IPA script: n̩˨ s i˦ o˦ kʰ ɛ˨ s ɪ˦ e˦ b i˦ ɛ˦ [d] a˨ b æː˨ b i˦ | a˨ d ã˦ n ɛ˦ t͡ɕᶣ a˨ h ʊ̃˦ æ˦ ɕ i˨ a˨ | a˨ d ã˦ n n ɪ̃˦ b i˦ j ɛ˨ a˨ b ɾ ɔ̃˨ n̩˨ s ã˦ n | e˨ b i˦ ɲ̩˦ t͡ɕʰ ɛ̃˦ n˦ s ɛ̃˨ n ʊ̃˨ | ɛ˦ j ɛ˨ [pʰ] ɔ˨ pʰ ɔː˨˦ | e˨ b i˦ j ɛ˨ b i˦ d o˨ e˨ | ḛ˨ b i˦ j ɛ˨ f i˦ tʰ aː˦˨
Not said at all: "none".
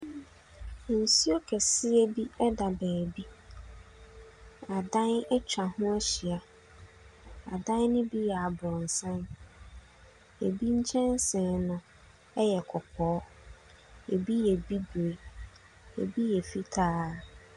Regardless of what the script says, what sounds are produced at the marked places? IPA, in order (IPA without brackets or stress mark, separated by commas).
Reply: d, kʰ